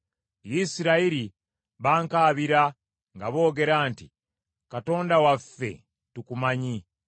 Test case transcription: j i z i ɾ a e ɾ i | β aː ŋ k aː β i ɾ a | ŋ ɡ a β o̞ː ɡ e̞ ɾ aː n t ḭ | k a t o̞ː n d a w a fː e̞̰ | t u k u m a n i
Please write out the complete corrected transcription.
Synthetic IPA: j i s i ɾ a i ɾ i | β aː ŋ k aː β i ɾ a | ŋ ɡ a β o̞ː ɡ e̞ ɾ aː n t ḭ | k a t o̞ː n d a w a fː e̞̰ | t u k u m a ɲ i